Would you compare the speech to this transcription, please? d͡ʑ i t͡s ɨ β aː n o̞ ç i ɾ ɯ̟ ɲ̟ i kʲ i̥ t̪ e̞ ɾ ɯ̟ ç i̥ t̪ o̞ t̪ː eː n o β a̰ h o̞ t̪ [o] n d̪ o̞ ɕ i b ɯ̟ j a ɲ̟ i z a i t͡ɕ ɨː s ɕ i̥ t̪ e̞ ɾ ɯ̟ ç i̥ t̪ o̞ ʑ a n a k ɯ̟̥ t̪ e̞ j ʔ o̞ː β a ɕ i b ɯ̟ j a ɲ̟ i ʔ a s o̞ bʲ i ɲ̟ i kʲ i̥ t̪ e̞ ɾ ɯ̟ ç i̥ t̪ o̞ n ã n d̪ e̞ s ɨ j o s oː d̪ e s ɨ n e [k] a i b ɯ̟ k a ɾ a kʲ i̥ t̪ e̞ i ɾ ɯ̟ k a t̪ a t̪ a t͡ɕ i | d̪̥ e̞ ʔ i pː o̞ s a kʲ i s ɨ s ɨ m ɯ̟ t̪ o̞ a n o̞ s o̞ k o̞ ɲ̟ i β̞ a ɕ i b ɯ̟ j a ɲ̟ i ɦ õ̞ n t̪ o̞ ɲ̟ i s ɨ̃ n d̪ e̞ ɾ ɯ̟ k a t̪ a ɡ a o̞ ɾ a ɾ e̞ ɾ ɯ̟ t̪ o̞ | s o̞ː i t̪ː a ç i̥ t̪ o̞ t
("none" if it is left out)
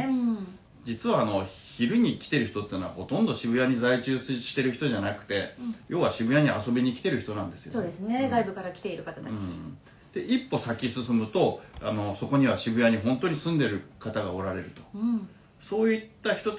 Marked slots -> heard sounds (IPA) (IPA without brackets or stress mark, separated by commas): õ, ɡ